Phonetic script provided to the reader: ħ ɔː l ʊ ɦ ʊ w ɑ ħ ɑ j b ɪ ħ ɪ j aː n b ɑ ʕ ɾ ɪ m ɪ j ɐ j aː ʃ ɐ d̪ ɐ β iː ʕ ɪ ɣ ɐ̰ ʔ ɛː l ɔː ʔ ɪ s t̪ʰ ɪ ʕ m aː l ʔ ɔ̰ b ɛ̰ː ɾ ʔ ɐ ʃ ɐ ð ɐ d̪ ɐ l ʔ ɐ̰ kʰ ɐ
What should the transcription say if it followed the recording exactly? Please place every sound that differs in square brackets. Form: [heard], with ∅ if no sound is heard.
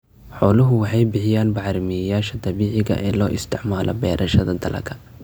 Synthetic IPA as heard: ħ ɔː l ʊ ɦ ʊ w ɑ ħ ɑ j b ɪ ħ ɪ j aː n b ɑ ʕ ɾ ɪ m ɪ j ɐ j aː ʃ ɐ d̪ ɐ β iː ʕ ɪ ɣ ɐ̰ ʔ ɛː l ɔː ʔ ɪ s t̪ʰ ɪ ʕ m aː l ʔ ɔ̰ b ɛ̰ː ɾ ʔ ɐ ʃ ɐ ð ɐ d̪ ɐ l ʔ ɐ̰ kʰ ɐ